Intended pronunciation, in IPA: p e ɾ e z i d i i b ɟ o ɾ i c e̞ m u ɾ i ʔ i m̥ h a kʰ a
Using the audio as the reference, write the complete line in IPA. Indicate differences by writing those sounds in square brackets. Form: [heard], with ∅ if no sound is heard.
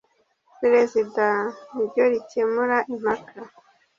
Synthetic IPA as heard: p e ɾ e z i d [a] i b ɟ o ɾ i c e̞ m u ɾ [a] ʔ i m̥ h a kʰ a